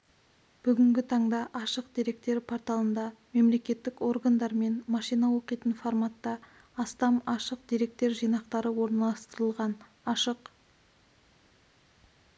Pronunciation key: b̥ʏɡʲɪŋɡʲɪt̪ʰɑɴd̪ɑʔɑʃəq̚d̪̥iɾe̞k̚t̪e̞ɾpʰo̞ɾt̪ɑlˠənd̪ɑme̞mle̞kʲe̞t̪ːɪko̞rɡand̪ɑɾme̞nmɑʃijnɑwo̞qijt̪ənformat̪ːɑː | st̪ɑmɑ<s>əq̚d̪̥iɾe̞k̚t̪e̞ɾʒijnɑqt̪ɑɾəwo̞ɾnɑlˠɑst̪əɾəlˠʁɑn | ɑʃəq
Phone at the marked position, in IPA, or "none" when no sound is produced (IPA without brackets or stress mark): ʃ